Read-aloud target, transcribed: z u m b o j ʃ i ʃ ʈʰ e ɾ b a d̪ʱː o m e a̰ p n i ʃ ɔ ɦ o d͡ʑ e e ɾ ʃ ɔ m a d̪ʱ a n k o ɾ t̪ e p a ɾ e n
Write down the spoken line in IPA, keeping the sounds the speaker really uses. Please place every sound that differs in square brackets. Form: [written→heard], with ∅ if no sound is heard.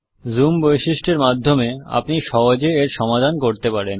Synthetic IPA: z u m b o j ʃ i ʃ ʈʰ e ɾ [b→m] a d̪ʱː o m e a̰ p n i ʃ ɔ ɦ o d͡ʑ e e ɾ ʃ ɔ m a d̪ʱ a n k o ɾ t̪ e p a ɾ e n